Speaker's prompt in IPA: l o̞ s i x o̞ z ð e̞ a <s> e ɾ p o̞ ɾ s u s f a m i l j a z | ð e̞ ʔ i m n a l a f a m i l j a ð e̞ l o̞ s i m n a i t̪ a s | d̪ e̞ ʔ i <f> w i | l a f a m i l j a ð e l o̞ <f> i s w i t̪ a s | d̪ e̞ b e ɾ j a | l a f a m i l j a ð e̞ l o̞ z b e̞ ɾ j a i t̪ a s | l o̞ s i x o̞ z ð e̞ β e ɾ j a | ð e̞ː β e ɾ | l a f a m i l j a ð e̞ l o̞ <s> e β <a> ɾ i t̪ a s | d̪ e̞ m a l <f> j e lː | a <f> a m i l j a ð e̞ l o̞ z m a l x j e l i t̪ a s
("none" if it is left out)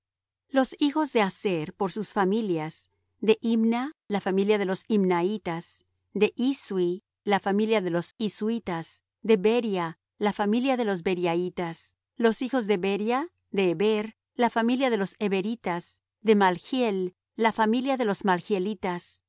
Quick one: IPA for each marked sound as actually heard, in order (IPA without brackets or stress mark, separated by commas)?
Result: s, s, s, s, e, x, f